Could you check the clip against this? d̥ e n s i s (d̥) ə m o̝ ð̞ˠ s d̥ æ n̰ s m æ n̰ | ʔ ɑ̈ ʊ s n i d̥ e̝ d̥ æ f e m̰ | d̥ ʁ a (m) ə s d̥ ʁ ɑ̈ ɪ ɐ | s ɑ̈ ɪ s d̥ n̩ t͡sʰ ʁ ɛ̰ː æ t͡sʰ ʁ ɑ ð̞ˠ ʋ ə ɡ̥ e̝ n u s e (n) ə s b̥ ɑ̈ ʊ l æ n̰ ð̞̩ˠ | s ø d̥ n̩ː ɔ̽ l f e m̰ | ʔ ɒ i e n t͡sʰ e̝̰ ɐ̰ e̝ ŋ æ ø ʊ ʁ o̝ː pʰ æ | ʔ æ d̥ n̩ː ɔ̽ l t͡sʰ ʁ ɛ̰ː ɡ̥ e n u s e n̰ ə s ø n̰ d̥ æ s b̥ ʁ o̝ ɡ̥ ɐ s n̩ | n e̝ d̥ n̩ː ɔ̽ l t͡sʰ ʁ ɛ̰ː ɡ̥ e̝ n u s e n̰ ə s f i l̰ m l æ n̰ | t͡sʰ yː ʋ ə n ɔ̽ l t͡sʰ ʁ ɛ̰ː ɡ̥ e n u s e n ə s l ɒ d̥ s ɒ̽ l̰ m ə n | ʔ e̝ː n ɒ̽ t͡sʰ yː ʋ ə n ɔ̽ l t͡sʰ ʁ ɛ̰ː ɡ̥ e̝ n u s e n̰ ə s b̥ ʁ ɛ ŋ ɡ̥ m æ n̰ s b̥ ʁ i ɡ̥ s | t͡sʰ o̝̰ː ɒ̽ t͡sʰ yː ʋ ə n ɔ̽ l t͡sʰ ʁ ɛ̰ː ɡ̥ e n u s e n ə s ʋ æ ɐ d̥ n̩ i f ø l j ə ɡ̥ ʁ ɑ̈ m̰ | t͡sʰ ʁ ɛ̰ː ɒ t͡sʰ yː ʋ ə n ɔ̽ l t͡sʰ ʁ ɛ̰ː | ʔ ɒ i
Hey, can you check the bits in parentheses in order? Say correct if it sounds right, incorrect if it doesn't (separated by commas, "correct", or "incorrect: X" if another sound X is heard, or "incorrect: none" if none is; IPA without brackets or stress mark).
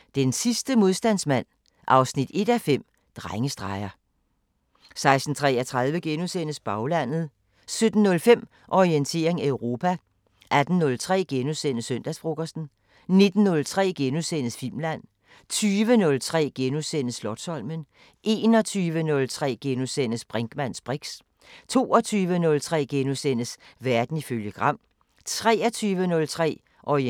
correct, incorrect: ŋ, correct